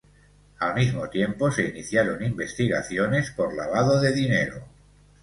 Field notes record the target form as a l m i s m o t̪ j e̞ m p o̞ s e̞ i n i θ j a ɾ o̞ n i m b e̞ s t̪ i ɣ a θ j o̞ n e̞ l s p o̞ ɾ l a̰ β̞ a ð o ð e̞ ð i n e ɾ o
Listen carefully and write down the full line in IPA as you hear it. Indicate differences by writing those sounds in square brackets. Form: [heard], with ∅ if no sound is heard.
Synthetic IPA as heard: a l m i [z] m o t̪ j e̞ m p o̞ s e̞ i n i θ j a ɾ o̞ n i m b e̞ s t̪ i ɣ a θ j o̞ n e̞ [∅] s p o̞ ɾ l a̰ β̞ a ð o ð e̞ ð i n e ɾ o